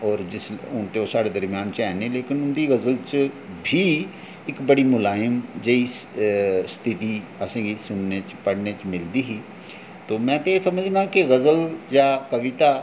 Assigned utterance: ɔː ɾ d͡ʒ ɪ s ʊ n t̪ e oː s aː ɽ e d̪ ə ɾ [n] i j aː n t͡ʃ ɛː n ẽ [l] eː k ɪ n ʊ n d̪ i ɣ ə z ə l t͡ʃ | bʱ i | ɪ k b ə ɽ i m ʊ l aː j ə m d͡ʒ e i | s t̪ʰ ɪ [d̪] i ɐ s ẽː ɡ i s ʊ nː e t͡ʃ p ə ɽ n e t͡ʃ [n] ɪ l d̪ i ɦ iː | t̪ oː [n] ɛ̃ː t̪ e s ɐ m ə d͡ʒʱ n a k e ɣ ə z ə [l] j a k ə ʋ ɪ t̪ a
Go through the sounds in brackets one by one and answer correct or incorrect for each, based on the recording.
incorrect, correct, incorrect, incorrect, incorrect, correct

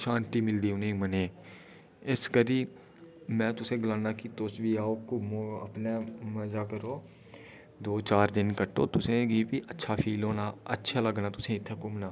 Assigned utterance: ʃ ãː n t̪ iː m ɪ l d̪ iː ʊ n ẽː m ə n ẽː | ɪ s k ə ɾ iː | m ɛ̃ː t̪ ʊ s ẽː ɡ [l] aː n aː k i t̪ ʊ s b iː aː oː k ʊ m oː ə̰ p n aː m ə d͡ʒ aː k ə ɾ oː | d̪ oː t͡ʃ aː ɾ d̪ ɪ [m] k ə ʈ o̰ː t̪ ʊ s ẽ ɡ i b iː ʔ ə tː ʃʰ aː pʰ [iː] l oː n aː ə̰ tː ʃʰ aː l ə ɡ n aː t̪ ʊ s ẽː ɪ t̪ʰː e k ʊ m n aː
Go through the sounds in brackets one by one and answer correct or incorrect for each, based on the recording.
correct, incorrect, correct

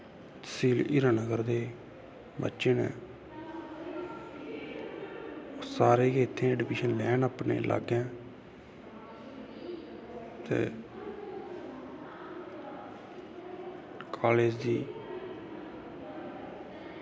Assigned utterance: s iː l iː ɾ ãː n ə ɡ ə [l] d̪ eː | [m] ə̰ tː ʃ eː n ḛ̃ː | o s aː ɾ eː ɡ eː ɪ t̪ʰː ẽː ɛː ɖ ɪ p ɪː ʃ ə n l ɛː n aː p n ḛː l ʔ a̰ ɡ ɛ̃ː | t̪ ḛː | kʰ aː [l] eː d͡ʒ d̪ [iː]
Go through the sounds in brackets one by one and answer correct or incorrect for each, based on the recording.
incorrect, incorrect, correct, correct

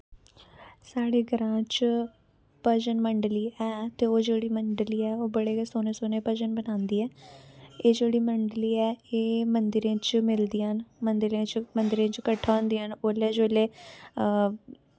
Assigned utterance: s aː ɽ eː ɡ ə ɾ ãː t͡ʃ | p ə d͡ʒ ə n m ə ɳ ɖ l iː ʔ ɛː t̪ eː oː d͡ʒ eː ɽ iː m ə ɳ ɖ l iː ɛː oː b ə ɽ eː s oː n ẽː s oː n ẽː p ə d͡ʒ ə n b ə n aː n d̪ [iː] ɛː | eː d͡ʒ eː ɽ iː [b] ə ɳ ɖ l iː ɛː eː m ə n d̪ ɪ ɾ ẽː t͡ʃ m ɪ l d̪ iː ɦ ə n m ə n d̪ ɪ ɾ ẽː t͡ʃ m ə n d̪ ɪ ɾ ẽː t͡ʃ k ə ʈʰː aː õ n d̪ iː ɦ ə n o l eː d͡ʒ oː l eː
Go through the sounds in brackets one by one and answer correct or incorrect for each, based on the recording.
correct, incorrect

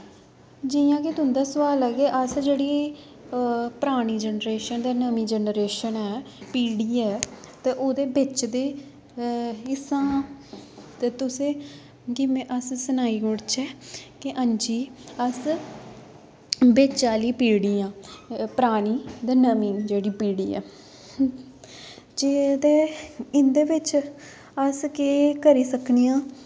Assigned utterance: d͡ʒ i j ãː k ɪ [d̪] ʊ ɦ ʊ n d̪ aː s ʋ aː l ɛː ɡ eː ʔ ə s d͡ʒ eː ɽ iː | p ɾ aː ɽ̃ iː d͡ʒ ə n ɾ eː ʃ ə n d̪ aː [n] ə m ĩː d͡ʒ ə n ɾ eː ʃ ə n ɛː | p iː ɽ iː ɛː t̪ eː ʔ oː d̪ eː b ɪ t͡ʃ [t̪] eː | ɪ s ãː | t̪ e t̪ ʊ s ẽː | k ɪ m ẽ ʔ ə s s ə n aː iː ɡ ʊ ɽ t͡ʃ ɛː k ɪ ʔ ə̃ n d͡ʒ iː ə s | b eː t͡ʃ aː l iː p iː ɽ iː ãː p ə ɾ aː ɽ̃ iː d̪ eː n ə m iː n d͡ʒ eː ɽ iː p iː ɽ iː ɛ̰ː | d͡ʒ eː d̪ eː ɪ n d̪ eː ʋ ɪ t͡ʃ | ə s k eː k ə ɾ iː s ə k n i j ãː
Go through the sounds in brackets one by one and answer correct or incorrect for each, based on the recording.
incorrect, correct, incorrect

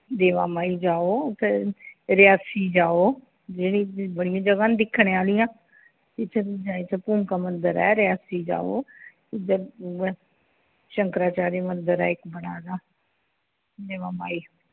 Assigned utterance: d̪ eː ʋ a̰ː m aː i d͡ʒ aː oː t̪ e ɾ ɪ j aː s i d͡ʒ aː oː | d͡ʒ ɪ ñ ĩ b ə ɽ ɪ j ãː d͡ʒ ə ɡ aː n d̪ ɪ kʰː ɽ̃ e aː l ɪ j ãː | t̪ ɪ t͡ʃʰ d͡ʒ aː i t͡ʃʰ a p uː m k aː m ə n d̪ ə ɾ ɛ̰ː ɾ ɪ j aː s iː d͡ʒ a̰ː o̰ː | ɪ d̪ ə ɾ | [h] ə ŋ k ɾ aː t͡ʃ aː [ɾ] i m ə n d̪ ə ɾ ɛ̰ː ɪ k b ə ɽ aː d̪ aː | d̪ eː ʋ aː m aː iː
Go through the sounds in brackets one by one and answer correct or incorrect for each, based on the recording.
incorrect, correct

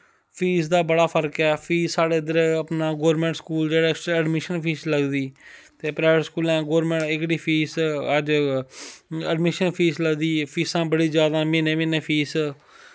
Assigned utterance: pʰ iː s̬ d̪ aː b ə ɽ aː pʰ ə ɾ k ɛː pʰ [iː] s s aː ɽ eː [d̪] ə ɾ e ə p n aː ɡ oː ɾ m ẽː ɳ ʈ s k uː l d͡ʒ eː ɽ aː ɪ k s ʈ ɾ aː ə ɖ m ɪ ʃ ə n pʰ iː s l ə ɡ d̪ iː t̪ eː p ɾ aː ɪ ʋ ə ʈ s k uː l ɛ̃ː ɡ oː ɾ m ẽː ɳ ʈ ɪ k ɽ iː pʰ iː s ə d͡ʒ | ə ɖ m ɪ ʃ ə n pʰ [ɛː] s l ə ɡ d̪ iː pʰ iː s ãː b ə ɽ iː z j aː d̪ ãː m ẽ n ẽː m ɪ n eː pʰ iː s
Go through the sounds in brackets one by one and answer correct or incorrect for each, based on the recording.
correct, correct, incorrect

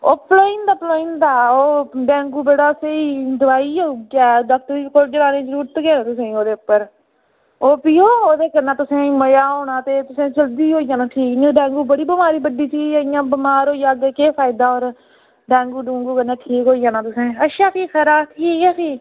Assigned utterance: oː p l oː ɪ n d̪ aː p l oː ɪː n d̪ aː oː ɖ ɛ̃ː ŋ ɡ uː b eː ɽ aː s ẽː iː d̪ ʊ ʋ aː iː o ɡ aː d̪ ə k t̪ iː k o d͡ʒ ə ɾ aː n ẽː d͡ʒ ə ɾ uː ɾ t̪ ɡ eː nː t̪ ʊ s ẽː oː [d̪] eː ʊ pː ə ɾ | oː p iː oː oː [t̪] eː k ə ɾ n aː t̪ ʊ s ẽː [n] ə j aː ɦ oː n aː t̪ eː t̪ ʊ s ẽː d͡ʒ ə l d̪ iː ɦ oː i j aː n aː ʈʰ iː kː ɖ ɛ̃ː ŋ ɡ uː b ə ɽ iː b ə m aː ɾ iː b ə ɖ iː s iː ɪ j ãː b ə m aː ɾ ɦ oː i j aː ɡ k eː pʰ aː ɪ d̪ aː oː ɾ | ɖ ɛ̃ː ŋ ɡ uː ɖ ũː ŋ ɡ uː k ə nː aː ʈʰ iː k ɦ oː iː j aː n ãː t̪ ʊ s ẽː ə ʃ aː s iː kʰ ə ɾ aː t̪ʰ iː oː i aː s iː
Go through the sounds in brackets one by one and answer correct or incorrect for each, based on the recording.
correct, incorrect, incorrect

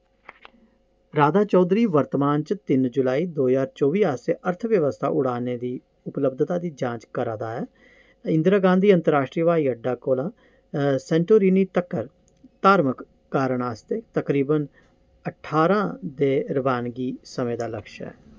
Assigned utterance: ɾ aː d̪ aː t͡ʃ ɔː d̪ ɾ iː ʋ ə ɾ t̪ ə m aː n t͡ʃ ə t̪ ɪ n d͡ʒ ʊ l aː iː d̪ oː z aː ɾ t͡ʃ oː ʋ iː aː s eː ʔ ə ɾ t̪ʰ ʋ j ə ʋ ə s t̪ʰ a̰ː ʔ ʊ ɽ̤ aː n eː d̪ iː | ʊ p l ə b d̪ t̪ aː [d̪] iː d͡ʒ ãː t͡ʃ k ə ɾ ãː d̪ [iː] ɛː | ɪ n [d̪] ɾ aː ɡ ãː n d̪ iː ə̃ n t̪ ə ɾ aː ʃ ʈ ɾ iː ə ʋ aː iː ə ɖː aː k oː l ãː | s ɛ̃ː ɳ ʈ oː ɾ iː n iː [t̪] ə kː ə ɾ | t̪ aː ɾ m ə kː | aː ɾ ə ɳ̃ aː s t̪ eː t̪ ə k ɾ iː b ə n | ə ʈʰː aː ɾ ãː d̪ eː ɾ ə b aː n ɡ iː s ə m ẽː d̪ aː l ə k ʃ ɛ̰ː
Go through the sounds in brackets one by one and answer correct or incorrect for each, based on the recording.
correct, incorrect, correct, correct

